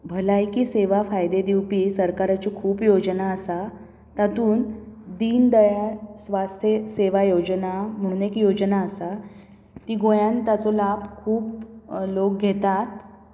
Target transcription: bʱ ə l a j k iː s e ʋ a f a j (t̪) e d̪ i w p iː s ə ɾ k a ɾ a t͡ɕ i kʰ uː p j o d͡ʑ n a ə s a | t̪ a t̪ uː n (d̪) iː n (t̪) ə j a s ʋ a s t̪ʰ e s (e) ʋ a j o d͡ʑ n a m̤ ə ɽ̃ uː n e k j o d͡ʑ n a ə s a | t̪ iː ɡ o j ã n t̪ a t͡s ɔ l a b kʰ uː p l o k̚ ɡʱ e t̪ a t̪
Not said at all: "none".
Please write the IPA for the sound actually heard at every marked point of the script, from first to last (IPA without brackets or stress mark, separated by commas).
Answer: d̪, d̪, d̪, e